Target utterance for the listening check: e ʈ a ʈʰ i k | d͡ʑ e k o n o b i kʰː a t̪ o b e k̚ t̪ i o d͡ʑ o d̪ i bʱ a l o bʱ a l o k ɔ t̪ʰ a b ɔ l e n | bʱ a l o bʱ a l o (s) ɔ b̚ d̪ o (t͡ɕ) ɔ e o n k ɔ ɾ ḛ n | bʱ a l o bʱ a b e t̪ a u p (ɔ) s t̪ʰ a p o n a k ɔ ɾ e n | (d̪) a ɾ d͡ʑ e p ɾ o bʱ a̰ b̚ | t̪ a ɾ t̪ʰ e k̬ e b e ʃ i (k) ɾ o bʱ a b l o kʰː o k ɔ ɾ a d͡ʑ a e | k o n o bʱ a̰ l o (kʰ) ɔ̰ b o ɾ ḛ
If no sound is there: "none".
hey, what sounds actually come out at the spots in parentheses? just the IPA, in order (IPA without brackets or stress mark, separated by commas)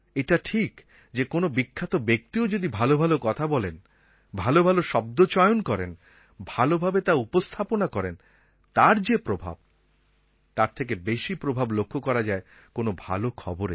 ʃ, t͡ɕ, o, t̪, p, kʰ